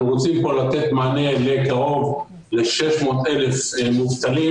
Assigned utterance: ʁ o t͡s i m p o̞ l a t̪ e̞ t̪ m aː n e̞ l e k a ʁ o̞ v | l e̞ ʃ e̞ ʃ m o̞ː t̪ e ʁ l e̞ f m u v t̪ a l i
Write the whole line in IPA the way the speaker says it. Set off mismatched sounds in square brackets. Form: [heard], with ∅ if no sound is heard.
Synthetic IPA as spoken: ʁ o t͡s i m p o̞ l a t̪ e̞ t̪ m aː n e̞ l e k a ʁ o̞ v | l e̞ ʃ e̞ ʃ m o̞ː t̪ e [∅] l e̞ f m u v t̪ a l i